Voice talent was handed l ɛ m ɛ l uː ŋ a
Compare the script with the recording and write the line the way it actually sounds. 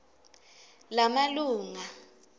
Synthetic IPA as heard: l a m a l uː ŋ a